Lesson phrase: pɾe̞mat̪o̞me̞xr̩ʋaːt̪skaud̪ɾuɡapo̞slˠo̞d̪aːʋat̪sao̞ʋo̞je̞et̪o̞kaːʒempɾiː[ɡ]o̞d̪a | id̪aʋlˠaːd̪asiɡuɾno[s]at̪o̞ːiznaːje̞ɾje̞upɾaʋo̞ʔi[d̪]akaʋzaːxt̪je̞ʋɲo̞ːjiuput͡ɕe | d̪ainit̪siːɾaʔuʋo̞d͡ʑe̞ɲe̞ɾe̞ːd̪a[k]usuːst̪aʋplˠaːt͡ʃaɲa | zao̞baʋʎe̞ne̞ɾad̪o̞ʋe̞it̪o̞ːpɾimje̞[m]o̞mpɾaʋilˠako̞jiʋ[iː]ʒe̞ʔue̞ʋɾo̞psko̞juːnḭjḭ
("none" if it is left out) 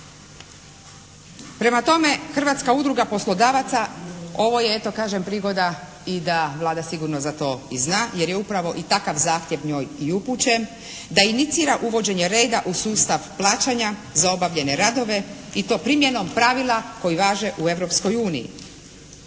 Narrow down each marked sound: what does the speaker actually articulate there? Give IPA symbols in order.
ɡ, z, t̪, ʔ, n, aː

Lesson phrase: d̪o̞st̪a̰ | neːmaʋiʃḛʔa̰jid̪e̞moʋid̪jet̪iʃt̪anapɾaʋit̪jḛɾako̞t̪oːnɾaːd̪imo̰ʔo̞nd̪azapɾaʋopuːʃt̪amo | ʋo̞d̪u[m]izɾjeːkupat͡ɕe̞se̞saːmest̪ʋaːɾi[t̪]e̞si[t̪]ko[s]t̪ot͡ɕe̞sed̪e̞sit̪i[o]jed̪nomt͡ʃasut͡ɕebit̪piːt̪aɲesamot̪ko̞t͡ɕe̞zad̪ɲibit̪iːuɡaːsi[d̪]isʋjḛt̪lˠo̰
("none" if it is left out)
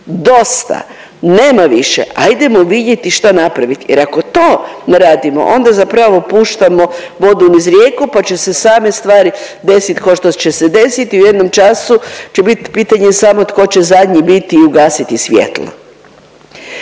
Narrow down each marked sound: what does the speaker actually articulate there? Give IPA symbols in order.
n, d̪, t̪, ʃ, u, t̪

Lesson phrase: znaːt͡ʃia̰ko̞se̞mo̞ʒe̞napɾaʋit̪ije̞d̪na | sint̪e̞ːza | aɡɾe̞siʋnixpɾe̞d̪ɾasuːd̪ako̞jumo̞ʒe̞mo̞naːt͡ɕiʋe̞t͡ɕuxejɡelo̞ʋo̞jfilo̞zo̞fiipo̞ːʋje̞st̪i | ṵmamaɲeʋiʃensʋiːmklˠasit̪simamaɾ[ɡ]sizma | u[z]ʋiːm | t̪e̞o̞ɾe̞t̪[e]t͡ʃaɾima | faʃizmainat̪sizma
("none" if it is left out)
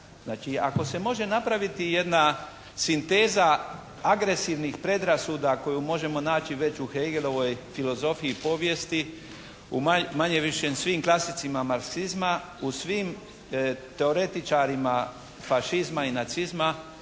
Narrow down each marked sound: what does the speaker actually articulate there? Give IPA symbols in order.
k, s, i

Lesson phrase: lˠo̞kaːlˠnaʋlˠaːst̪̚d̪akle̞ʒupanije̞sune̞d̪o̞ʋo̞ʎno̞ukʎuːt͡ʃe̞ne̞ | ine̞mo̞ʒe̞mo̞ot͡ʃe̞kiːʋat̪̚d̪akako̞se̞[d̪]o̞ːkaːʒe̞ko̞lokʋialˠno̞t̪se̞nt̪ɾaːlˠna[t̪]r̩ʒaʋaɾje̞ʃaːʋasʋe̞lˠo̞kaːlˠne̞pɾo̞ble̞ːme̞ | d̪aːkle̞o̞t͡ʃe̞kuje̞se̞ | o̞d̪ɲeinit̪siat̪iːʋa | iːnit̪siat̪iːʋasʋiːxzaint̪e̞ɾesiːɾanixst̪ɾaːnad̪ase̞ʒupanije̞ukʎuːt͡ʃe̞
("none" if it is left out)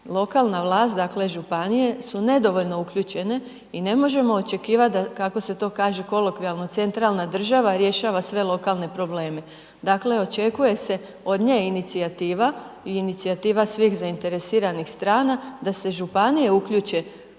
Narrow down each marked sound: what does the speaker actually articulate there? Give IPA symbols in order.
t̪, d̪

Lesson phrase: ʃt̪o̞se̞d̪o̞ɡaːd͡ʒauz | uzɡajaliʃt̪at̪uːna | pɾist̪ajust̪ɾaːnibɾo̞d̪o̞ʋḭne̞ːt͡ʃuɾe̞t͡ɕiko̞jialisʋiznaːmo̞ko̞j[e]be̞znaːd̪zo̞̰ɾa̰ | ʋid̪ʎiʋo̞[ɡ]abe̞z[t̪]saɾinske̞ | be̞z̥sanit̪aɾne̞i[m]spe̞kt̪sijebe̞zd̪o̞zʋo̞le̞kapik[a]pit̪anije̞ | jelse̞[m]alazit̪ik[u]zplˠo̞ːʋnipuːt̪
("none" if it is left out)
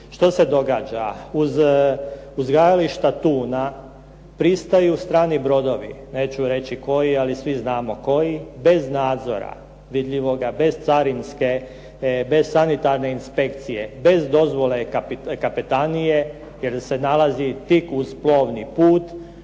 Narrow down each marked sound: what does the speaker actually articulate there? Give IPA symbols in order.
i, ɡ, t̪, n, a, n, u

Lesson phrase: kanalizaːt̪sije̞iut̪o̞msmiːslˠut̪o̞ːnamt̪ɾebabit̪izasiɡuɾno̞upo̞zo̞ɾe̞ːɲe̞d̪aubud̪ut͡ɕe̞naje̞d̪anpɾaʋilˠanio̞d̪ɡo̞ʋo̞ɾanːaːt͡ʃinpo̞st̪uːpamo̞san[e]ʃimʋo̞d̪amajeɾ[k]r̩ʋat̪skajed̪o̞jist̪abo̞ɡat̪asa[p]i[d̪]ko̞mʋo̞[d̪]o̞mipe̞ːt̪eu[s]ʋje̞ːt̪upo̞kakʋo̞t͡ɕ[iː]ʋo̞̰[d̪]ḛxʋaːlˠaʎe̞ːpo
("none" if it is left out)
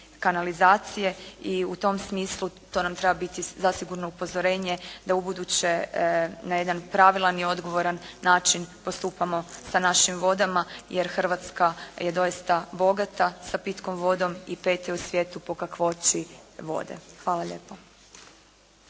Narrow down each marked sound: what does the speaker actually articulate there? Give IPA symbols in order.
a, x, p, t̪, d̪, s, i, d̪

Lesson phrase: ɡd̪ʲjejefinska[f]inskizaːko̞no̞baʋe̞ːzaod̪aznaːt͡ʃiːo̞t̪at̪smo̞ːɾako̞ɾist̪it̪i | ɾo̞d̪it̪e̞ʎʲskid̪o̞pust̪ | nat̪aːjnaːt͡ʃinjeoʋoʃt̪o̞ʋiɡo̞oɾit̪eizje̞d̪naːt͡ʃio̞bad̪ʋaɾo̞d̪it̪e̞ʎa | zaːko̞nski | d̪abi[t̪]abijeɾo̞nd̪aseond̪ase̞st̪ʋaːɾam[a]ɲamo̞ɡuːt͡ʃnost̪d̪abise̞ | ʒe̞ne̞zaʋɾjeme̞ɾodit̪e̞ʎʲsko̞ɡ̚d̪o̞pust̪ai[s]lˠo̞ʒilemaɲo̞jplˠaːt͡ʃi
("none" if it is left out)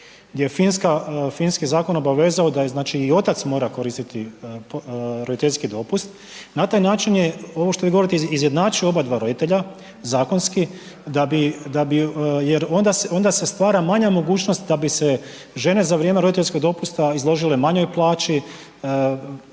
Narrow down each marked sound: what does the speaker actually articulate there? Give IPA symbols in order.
f, d̪, a, z

